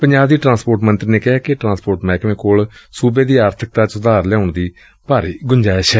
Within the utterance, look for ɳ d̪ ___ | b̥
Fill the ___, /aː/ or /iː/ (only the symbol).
iː